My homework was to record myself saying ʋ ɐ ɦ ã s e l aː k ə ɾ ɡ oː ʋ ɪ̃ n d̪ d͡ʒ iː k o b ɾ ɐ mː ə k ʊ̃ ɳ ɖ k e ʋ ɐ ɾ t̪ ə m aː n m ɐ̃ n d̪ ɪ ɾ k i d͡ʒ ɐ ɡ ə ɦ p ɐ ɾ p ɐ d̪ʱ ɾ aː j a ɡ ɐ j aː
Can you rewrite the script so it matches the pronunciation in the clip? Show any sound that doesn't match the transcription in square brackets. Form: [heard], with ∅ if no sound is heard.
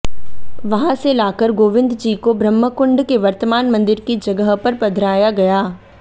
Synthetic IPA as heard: ʋ ɐ ɦ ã s e l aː k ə ɾ ɡ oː ʋ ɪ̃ n d̪ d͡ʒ iː k o b ɾ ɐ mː ə k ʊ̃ ɳ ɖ k e ʋ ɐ ɾ t̪ ə m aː n m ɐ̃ n d̪ ɪ ɾ k i d͡ʒ ɐ ɡ ə ɦ p ɐ ɾ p ɐ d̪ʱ ɾ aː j a ɡ ɐ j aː